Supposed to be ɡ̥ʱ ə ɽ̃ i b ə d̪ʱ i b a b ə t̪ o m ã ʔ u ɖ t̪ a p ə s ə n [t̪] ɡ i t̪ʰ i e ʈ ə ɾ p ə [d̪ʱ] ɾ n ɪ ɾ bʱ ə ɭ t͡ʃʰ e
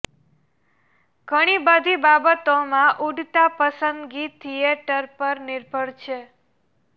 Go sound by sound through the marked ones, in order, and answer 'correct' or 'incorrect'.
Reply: incorrect: d̪, incorrect: none

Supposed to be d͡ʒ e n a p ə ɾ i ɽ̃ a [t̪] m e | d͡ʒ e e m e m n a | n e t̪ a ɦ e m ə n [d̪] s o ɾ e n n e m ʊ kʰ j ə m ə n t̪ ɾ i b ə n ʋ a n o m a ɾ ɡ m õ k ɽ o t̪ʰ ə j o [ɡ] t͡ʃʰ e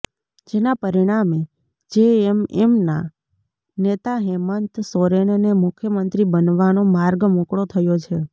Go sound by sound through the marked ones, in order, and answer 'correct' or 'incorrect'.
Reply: incorrect: none, incorrect: t̪, incorrect: none

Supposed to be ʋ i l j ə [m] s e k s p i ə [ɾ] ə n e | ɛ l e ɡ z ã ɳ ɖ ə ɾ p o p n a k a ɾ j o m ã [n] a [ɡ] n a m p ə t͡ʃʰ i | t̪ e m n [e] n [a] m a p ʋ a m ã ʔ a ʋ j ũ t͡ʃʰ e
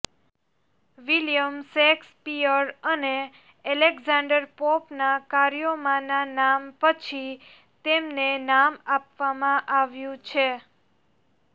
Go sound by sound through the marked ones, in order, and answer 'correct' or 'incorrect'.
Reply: correct, correct, correct, incorrect: none, correct, correct

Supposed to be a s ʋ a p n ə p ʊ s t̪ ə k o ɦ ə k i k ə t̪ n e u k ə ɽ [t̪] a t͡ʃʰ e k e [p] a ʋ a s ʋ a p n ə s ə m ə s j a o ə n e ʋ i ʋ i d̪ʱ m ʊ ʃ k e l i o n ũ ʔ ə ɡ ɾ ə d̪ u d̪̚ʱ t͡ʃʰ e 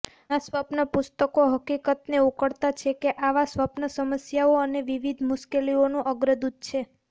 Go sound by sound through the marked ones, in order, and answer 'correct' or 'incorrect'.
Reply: correct, incorrect: ʔ

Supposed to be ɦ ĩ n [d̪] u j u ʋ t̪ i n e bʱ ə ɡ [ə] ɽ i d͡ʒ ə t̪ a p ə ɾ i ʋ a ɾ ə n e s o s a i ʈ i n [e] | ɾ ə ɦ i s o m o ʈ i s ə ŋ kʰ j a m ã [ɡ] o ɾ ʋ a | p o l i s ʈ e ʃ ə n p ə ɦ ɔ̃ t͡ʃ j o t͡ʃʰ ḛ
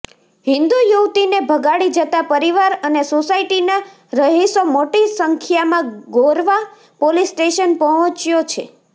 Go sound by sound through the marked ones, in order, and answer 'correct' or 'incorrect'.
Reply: correct, incorrect: a, incorrect: a, correct

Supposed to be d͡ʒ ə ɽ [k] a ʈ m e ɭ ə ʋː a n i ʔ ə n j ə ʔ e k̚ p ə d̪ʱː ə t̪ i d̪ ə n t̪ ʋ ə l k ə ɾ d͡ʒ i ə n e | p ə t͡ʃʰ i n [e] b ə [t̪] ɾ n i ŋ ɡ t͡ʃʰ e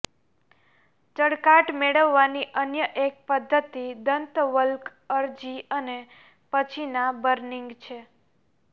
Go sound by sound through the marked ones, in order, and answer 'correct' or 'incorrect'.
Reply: correct, incorrect: a, incorrect: none

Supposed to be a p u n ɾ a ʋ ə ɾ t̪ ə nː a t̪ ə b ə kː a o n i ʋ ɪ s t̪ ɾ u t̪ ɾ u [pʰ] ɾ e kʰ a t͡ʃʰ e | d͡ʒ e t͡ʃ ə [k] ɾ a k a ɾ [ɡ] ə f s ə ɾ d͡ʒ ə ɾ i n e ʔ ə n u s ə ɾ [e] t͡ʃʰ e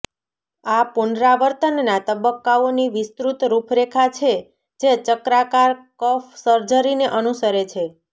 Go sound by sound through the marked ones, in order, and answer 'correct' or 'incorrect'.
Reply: correct, correct, incorrect: k, correct

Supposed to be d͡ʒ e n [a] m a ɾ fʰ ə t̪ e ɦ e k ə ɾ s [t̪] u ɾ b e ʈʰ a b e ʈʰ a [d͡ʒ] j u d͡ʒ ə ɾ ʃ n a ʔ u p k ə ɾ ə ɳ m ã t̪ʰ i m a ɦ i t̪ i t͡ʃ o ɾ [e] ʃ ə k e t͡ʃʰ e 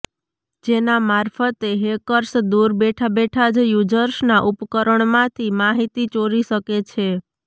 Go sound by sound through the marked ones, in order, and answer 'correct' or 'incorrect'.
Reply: correct, incorrect: d̪, correct, incorrect: i

